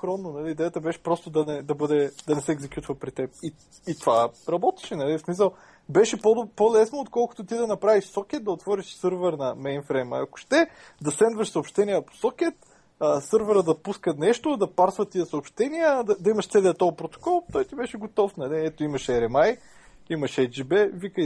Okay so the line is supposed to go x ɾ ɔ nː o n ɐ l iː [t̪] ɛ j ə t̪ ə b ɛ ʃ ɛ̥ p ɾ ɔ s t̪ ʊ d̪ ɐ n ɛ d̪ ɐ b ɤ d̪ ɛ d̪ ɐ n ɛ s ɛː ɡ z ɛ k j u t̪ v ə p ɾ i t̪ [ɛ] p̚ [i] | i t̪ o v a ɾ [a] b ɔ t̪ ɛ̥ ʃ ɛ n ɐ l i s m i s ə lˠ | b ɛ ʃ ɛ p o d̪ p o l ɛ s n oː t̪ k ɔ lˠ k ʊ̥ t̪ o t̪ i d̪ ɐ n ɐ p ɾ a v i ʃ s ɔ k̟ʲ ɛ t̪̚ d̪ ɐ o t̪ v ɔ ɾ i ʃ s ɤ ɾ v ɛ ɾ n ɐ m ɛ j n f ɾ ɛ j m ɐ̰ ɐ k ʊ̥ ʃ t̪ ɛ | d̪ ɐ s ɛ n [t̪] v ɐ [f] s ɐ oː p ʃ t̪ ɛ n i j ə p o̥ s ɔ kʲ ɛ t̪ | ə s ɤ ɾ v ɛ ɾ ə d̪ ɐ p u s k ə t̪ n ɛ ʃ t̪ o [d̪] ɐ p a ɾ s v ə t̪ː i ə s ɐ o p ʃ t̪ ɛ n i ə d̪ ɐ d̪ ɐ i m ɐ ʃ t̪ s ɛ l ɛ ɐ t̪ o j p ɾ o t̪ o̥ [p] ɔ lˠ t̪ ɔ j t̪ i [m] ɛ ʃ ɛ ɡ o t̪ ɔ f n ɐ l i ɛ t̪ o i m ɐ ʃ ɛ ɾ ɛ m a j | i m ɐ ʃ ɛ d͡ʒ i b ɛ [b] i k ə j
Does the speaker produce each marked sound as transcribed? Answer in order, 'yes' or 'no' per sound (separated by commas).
no, yes, yes, no, no, no, yes, no, no, no